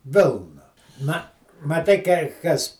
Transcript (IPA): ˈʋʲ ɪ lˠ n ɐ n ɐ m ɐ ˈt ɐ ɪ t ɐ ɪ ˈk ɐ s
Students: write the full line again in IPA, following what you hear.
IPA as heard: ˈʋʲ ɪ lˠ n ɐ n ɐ m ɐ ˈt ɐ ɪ k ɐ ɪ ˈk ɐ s